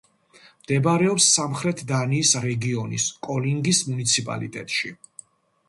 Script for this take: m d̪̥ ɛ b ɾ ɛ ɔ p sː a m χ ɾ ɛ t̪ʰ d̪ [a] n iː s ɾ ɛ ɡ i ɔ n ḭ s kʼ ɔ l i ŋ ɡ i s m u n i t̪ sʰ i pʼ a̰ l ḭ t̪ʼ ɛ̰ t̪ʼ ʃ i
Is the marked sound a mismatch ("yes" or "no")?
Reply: no